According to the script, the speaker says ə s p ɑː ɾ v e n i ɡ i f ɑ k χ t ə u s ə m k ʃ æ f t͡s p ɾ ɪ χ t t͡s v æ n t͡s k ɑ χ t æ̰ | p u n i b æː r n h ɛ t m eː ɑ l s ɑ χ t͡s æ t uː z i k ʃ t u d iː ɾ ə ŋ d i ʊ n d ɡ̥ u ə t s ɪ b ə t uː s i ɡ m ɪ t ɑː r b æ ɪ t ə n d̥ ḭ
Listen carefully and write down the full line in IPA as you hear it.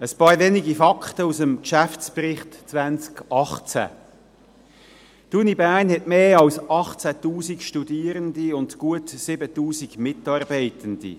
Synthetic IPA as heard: ə s p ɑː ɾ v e n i ɡ i f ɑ k χ t ə u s ə m k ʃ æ f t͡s p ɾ ɪ χ t t͡s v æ n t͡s k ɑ χ t͡s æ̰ | t u n i b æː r n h ɛ t m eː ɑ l s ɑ χ t͡s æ t uː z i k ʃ t u d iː ɾ ə n d i ʊ n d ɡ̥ u ə t s ɪ b ə t uː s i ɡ m ɪ t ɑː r b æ ɪ t ə n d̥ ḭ